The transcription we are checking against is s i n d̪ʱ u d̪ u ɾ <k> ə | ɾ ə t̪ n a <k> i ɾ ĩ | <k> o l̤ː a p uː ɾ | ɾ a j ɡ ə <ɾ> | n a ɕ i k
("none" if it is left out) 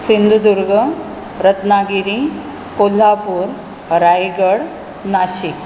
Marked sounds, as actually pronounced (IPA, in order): ɡ, ɡ, k, ɽ

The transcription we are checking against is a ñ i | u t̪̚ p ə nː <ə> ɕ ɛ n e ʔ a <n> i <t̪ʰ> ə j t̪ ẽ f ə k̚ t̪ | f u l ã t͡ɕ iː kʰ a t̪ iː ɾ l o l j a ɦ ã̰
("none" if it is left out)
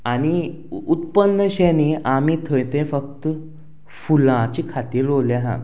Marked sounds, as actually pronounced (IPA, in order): ə, m, t̪ʰ

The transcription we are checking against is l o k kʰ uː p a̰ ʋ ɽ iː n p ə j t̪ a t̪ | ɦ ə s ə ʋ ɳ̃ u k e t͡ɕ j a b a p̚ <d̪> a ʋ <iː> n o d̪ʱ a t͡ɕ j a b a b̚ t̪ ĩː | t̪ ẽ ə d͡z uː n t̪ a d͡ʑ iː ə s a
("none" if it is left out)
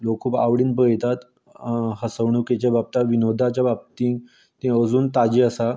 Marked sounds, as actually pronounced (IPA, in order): t̪, i

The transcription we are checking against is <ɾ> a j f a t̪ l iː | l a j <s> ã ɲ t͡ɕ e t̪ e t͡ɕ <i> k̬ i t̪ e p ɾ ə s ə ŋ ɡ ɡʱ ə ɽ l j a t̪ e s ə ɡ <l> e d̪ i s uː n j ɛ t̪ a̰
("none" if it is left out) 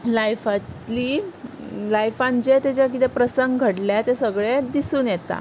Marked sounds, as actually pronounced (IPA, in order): l, f, a, ɭ

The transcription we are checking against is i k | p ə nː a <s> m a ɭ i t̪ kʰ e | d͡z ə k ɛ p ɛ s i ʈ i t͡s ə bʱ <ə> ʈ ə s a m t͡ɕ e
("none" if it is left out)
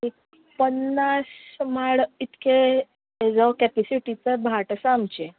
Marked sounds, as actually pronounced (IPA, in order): s, a

